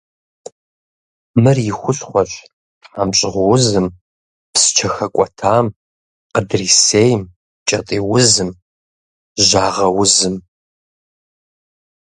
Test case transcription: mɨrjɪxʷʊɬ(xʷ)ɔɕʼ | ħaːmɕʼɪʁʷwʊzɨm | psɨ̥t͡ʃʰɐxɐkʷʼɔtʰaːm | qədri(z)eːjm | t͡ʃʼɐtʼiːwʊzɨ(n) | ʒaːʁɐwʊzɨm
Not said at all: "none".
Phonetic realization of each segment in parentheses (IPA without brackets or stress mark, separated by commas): χʷ, s, m